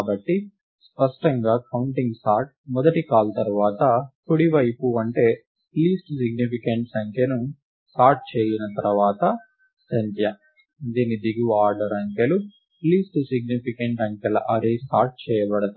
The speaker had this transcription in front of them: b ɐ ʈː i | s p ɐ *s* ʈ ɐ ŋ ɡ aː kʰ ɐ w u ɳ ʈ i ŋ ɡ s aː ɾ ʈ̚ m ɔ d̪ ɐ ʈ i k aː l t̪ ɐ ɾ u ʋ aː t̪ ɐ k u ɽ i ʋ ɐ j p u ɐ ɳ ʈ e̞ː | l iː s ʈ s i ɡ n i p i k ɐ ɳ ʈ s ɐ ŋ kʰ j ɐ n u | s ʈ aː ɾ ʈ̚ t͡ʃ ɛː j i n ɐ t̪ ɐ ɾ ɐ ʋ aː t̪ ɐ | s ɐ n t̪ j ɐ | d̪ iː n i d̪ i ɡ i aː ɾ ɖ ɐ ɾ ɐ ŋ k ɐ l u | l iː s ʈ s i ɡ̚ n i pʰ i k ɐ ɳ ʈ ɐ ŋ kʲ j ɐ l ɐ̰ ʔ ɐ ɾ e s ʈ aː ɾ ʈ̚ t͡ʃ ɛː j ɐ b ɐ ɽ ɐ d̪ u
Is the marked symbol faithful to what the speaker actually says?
no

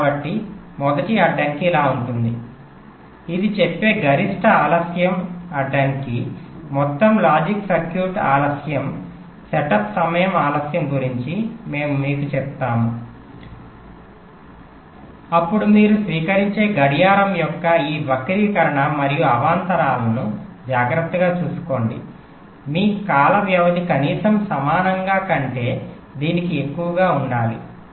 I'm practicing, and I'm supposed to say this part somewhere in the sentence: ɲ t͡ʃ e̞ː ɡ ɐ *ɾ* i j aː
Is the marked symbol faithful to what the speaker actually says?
no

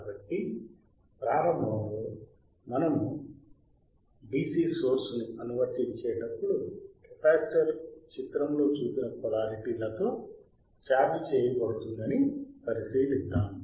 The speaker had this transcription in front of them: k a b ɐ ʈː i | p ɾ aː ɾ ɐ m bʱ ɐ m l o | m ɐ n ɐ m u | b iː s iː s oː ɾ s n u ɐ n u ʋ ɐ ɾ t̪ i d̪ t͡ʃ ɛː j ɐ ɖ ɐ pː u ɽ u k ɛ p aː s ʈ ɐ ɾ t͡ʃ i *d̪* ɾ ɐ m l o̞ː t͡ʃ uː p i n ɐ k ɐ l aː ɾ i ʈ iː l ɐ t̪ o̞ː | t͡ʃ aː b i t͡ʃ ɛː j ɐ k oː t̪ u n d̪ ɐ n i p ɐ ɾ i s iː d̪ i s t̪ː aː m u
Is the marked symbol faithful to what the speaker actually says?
no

